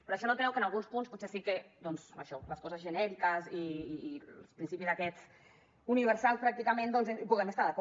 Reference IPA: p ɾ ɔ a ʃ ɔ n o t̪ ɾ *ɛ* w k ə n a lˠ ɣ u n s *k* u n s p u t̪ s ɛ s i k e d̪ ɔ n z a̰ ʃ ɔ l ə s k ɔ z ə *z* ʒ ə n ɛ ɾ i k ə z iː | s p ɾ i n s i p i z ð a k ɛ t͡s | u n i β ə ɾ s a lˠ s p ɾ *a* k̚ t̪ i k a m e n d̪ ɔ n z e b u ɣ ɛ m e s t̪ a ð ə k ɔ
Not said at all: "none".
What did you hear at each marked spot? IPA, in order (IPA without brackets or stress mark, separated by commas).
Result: ɛ, p, z, a